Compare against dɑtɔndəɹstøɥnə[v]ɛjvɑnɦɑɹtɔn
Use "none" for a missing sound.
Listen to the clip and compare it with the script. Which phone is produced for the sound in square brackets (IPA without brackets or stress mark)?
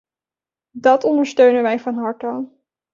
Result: ʋ